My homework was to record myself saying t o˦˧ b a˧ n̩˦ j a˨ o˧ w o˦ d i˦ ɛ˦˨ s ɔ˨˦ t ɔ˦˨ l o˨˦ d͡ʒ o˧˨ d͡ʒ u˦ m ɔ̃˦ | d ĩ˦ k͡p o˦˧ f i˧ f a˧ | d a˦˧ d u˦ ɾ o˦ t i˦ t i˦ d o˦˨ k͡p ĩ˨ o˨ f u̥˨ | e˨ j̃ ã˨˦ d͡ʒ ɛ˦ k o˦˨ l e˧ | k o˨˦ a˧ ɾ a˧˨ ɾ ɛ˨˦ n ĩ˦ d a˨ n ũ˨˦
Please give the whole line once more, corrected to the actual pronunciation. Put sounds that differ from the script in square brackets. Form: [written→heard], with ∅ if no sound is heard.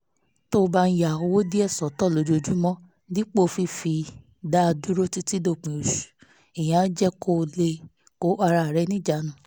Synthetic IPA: t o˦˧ b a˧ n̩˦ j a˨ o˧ w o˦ d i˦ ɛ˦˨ s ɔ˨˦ t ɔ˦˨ l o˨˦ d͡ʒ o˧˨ d͡ʒ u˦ m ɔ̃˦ | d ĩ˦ k͡p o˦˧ f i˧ f [a˧→i˧] | d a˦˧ d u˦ ɾ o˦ t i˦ t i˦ d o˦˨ k͡p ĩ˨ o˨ [f→ʃ] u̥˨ | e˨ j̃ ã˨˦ d͡ʒ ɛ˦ k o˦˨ l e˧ | k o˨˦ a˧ ɾ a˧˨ ɾ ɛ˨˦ n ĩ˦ [d→d͡ʒ] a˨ n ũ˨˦